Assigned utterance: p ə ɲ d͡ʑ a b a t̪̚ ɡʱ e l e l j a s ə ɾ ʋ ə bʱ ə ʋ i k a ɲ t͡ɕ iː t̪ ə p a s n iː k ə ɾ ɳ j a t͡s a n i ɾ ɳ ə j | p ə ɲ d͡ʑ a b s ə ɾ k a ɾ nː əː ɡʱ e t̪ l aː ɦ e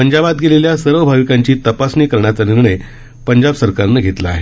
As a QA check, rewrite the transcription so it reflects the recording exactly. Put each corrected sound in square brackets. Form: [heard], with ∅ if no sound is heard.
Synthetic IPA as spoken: p ə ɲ d͡ʑ a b a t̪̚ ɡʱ e l e l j a s ə ɾ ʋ ə bʱ [a] ʋ i k a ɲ t͡ɕ iː t̪ ə p a s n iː k ə ɾ ɳ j a t͡s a n i ɾ ɳ ə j | p ə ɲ d͡ʑ a b s ə ɾ k a ɾ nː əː ɡʱ e t̪ l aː ɦ e